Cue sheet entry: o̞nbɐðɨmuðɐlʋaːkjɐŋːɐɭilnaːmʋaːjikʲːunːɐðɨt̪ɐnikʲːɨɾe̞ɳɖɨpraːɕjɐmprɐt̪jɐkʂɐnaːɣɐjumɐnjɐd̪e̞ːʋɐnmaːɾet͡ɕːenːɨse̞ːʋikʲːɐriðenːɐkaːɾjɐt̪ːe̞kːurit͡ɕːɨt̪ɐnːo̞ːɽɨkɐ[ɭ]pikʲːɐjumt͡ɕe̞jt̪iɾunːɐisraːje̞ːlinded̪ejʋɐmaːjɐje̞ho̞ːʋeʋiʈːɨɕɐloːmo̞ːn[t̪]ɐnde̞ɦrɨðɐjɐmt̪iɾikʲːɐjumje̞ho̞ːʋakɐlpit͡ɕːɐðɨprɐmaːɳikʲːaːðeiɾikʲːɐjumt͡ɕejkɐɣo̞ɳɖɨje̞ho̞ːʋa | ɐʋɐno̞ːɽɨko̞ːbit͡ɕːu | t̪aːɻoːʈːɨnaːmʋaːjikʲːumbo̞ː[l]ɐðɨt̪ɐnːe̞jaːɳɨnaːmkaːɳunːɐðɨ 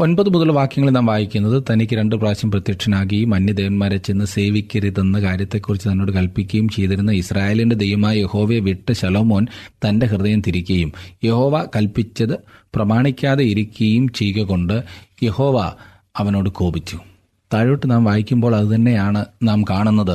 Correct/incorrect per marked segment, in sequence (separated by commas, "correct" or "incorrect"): incorrect, correct, incorrect